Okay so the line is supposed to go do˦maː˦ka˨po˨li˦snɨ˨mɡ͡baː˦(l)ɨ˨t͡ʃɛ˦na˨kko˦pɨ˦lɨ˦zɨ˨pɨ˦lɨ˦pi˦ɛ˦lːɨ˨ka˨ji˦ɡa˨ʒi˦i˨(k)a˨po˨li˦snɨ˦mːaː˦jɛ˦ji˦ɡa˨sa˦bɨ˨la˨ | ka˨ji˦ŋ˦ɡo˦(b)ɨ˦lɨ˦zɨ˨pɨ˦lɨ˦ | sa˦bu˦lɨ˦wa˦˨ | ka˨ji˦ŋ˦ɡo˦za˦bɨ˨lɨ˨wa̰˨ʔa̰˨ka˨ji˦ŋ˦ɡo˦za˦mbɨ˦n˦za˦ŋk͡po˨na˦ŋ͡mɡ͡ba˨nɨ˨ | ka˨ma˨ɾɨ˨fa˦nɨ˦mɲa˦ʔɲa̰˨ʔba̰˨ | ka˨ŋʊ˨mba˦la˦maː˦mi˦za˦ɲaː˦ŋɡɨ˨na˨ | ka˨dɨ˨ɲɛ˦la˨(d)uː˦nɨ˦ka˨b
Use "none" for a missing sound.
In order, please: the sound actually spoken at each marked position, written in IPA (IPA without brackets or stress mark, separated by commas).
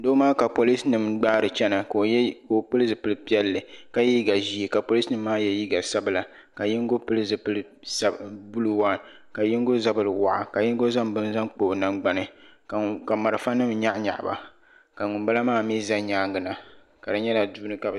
ɾ, k, p, d